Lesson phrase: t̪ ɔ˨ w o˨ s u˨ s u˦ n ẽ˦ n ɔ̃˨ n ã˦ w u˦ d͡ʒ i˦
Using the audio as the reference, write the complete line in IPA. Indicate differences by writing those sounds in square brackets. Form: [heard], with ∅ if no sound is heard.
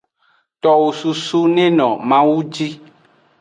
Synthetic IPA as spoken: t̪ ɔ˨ w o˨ s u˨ s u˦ n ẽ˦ n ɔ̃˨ [m] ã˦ w u˦ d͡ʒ i˦